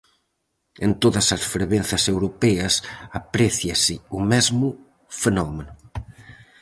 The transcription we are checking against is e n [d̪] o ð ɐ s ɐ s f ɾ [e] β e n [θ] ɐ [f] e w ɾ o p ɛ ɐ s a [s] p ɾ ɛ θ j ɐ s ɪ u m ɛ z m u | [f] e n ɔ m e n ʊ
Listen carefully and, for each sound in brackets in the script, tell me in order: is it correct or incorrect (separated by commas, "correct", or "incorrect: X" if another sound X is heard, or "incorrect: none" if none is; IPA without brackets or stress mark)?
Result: incorrect: t̪, correct, correct, incorrect: s, incorrect: none, correct